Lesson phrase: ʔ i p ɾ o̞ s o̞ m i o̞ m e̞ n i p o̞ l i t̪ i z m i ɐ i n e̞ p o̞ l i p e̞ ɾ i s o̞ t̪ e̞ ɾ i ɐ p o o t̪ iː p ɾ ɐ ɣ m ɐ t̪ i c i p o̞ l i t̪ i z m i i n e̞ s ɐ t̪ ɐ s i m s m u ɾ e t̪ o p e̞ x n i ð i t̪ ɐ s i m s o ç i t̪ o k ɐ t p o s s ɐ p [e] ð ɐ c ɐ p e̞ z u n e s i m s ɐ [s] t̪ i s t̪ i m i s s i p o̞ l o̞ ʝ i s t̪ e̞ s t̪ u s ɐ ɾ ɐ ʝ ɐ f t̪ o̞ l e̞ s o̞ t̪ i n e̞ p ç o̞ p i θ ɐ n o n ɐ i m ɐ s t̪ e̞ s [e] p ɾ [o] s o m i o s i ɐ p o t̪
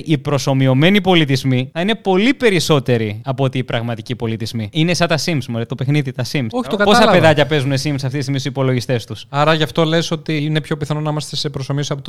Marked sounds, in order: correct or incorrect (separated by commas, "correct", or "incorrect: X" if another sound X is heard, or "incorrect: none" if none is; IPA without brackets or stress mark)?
correct, incorrect: f, correct, correct